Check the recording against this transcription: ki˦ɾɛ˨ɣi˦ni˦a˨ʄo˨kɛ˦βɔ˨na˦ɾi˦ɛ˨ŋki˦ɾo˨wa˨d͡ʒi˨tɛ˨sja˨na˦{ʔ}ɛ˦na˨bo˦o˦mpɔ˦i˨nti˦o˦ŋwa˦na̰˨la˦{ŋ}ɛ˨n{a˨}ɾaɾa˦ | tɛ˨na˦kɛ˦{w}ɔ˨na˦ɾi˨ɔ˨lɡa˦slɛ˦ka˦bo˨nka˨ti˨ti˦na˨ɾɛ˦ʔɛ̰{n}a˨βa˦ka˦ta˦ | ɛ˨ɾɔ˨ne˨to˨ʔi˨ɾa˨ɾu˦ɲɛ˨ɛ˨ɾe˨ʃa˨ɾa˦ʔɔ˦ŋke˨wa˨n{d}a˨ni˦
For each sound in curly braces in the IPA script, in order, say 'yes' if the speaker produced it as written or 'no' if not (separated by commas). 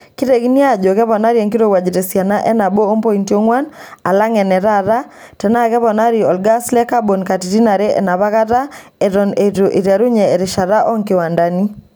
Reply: yes, yes, no, no, yes, yes